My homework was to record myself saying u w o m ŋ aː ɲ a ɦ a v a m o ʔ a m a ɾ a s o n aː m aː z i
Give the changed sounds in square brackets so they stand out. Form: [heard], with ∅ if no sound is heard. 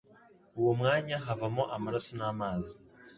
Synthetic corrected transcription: u w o m ŋ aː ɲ a ɦ a v a m o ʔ a m a ɾ a s o n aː m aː z i